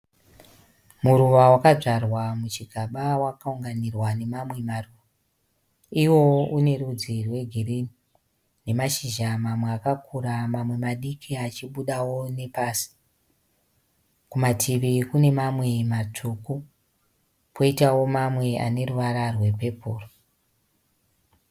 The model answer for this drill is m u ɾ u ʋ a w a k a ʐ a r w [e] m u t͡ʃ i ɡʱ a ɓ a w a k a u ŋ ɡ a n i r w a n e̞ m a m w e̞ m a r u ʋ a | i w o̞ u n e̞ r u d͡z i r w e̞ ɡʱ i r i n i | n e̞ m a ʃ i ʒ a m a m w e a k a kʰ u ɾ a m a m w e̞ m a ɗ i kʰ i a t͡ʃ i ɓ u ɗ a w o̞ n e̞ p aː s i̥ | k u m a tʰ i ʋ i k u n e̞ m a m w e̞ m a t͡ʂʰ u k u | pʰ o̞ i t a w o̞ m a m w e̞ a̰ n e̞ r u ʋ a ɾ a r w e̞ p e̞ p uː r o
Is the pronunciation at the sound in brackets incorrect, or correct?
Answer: incorrect